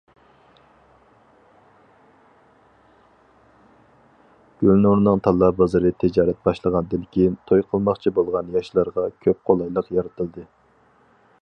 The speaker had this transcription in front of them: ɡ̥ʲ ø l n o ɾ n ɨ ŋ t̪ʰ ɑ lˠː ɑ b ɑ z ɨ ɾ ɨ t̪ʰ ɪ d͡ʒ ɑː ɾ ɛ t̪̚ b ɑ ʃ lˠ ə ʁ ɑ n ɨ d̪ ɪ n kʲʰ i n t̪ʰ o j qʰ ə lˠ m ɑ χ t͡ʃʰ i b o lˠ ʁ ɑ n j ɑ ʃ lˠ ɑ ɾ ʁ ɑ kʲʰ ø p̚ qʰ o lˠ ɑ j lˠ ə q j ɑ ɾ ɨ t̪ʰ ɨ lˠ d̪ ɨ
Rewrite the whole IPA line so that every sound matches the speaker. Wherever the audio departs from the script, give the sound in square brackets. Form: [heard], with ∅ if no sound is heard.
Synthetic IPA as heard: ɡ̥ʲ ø l n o ɾ n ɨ ŋ t̪ʰ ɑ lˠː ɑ b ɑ z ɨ ɾ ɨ t̪ʰ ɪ d͡ʒ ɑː ɾ ɛ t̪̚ b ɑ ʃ lˠ ə ʁ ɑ n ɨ d̪ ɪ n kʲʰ i n t̪ʰ o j qʰ ə lˠ m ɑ χ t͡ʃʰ i b o lˠ ʁ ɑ n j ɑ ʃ lˠ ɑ ɾ ʁ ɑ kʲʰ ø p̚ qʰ o lˠ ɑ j lˠ ə q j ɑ ɾ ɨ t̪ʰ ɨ lˠ d̪ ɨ